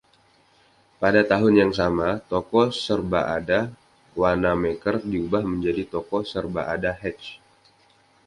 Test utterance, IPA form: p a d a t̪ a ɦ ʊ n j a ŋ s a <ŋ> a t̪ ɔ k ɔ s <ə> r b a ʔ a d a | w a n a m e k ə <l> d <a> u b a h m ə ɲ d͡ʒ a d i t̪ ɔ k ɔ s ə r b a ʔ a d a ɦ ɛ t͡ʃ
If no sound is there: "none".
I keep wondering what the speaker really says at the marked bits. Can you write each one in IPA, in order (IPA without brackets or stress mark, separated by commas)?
m, ə, r, i